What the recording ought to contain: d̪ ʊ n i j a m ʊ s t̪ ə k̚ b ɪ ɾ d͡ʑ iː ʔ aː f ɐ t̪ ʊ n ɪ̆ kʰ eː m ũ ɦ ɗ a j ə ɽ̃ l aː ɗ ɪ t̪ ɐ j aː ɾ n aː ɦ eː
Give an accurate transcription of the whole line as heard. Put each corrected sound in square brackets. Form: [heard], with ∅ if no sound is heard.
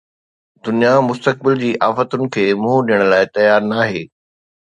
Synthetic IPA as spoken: d̪ ʊ n i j a m ʊ s t̪ ə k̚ b ɪ [l] d͡ʑ iː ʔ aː f [ə] t̪ ʊ n ɪ̆ kʰ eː m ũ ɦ ɗ [i] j ə ɽ̃ l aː [∅] ɪ t̪ ɐ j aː ɾ n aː ɦ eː